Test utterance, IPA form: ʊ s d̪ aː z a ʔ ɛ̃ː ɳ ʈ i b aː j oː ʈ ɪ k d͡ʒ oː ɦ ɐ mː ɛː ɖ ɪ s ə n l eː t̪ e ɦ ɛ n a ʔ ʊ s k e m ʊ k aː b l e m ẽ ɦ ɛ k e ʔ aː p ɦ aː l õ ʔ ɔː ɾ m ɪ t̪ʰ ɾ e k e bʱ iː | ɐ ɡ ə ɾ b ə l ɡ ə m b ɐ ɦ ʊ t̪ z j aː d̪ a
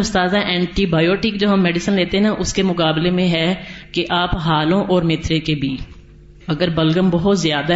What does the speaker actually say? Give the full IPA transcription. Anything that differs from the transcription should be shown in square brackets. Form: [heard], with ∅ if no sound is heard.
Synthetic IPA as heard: ʊ s [t̪] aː z a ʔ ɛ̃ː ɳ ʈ i b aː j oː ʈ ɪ k d͡ʒ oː ɦ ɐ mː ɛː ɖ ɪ s ə n l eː t̪ e ɦ ɛ n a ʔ ʊ s k e m ʊ k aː b l e m ẽ ɦ ɛ k e ʔ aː p ɦ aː l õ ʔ ɔː ɾ m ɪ t̪ʰ ɾ e k e bʱ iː | ɐ ɡ ə ɾ b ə l ɡ ə m b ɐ ɦ ʊ t̪ z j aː d̪ a